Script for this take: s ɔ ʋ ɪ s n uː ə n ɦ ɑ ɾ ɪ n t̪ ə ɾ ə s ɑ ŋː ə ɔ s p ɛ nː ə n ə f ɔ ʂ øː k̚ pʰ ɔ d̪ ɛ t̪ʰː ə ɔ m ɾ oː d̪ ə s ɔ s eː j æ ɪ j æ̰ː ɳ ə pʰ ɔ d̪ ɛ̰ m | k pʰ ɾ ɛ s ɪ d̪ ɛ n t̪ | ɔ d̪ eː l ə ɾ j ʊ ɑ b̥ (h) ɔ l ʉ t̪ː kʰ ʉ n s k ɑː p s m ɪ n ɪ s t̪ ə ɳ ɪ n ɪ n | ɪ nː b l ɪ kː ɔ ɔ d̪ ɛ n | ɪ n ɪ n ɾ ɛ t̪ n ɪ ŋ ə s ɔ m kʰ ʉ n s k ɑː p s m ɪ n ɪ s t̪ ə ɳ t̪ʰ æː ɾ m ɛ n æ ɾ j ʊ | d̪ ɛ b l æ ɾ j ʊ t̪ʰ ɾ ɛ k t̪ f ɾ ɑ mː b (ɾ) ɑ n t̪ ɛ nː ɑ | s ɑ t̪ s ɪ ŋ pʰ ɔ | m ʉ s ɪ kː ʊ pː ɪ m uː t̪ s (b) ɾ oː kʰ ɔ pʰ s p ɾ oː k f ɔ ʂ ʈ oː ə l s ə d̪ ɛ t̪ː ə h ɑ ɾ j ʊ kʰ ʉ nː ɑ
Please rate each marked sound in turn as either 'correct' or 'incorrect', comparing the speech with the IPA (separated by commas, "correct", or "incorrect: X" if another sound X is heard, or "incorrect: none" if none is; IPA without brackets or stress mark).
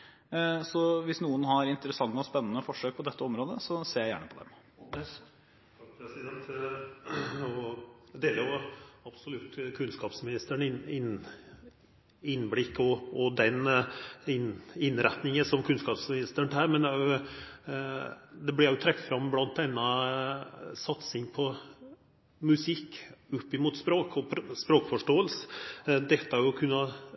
incorrect: s, incorrect: l, incorrect: p